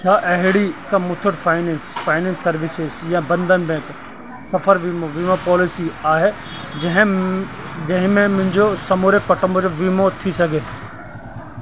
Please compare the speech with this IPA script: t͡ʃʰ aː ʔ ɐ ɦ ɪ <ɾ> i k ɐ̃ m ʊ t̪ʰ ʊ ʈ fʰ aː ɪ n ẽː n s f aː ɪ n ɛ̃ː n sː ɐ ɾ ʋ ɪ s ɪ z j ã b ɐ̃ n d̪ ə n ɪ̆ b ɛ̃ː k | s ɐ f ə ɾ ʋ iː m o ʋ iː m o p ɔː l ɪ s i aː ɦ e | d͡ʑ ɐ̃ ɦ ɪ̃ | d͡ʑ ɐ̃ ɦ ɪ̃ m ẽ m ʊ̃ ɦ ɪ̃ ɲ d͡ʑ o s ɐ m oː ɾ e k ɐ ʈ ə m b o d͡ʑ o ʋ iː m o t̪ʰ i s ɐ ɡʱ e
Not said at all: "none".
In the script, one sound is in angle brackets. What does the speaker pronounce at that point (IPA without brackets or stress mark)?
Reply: ɽ